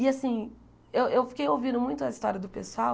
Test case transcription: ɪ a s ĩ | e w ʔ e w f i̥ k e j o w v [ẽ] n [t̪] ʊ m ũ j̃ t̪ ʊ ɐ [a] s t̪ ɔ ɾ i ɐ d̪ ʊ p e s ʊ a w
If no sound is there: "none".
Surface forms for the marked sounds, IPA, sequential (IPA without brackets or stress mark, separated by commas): ĩ, d̪, i